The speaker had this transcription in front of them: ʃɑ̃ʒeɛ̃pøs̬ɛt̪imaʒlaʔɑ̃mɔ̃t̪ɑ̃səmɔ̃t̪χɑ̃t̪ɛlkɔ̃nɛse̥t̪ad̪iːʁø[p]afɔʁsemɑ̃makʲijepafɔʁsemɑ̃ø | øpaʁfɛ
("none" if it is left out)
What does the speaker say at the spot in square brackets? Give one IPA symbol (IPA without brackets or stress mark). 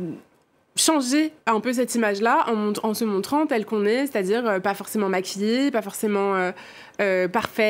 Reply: p